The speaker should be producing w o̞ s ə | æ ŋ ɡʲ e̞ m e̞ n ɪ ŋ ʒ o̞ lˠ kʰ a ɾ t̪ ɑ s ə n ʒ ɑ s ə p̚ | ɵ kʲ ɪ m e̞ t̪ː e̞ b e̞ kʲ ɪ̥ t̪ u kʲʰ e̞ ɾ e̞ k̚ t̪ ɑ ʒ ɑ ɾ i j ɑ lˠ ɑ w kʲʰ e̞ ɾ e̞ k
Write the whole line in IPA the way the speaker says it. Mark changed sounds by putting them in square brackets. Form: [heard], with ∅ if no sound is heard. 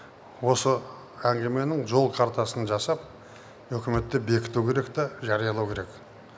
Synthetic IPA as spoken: w o̞ s ə | æ ŋ ɡʲ e̞ m e̞ n ɪ ŋ ʒ o̞ lˠ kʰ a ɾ t̪ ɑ s ə n ʒ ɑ s [ɑ] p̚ | ɵ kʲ ɪ m e̞ t̪ː e̞ b e̞ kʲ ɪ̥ t̪ u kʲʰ e̞ ɾ e̞ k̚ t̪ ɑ ʒ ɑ ɾ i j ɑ lˠ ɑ w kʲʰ e̞ ɾ e̞ k